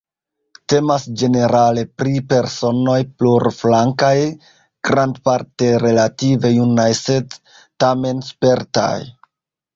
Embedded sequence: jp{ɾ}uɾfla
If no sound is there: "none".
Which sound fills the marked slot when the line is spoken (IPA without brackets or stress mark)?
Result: l